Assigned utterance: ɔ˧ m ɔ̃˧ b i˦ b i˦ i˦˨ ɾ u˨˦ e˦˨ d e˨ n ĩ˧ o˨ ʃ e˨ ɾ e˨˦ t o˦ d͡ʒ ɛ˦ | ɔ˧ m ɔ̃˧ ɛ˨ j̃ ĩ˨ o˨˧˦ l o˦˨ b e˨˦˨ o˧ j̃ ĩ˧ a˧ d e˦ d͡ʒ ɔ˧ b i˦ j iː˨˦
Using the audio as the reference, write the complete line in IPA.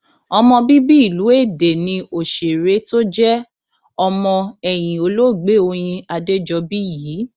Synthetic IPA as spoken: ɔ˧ m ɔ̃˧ b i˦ b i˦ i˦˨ l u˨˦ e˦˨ d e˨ n ĩ˧ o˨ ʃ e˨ ɾ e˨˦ t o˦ d͡ʒ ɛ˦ | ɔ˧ m ɔ̃˧ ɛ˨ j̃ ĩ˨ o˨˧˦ l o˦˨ ɡ͡b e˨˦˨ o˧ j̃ ĩ˧ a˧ d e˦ d͡ʒ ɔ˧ b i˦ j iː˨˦